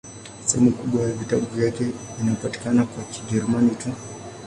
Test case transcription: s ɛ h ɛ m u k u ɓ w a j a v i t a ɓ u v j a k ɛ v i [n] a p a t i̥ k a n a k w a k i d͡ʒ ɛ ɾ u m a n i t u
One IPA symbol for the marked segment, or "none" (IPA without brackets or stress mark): n